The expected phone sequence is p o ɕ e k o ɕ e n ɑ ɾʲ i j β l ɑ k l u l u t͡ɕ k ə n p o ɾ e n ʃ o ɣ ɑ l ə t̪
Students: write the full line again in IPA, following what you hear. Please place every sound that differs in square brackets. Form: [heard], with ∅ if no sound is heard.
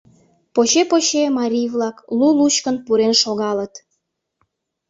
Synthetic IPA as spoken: p o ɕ e [p] o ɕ e [m] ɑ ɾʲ i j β l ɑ k l u l u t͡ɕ k ə n p [u] ɾ e n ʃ o ɣ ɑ l ə t̪